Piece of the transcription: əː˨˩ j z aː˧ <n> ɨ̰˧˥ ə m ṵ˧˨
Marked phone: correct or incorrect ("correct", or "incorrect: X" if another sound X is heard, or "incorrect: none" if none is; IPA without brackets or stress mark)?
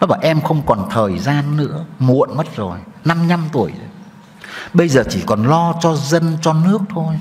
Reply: incorrect: nː